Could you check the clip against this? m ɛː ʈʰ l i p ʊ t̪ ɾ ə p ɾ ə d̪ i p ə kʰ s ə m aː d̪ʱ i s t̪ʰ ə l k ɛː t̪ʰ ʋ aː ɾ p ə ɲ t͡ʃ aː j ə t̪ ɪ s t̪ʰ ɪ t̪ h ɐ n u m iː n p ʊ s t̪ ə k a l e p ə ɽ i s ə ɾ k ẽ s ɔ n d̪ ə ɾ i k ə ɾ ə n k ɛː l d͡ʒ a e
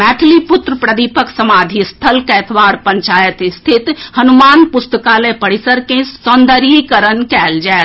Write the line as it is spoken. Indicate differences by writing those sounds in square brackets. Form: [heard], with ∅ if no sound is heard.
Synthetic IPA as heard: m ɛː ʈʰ l i p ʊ t̪ ɾ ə p ɾ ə d̪ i p ə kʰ s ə m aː d̪ʱ i s t̪ʰ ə l k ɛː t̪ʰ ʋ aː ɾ p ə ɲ t͡ʃ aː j ə t̪ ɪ s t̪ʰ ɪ t̪ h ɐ n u m [aː] n p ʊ s t̪ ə k a l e p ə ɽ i s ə ɾ k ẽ s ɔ n d̪ ə ɾ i k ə ɾ ə n k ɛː l d͡ʒ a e